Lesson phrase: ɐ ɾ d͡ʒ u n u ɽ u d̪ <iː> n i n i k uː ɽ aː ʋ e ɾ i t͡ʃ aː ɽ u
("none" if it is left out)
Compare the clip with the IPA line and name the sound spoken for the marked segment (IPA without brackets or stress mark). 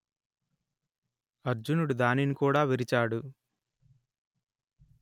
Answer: aː